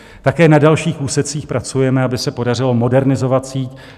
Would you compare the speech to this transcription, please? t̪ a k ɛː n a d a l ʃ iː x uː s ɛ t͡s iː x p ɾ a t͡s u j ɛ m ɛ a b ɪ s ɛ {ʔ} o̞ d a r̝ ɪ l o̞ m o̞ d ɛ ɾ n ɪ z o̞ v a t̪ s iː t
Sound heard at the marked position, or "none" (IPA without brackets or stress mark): p